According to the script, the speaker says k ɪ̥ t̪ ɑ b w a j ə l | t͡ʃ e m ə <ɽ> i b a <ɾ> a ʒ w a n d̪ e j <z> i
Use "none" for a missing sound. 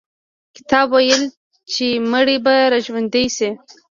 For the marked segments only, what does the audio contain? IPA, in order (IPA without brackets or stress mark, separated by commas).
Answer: ɽ, ɾ, s